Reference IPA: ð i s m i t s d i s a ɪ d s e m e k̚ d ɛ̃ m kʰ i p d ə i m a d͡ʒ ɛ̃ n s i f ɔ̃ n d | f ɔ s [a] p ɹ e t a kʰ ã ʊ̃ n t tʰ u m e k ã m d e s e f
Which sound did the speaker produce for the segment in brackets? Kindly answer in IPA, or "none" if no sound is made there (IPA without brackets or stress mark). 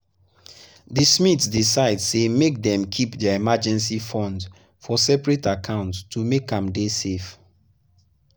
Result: ɛ